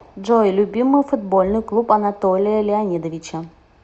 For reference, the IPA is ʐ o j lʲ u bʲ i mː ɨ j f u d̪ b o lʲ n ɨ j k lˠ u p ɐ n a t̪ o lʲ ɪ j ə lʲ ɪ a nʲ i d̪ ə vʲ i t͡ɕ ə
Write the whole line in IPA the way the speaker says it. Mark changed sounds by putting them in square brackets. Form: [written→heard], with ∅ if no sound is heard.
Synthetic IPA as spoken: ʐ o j lʲ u bʲ i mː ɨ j f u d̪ b o lʲ n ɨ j k lˠ u p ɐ n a t̪ o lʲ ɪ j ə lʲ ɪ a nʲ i d̪ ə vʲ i t͡ɕ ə